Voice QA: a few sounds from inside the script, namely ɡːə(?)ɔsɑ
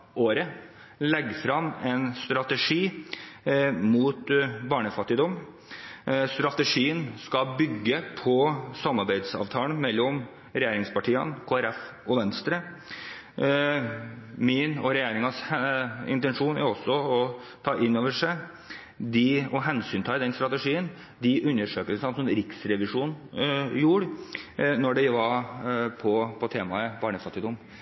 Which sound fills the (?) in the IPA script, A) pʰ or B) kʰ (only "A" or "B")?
A